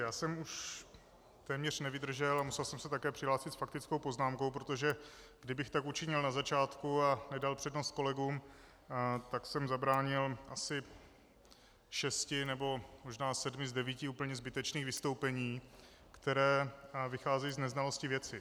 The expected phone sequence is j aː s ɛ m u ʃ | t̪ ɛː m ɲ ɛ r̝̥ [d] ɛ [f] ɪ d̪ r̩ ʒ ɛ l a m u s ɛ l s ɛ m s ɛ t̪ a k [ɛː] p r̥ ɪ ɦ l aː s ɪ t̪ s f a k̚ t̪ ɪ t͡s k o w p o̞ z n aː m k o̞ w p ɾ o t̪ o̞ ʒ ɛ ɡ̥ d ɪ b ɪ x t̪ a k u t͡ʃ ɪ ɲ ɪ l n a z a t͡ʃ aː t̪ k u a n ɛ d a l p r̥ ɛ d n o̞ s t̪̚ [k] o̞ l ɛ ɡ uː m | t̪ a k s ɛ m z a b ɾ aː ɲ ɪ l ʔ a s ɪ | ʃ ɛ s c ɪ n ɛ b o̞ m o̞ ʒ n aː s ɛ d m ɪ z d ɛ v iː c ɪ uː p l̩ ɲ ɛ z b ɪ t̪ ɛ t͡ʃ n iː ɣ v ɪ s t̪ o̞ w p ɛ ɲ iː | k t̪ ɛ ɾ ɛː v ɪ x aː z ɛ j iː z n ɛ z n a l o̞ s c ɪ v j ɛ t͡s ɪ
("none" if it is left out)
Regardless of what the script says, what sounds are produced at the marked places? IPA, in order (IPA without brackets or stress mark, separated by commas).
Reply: n, v, ɛː, k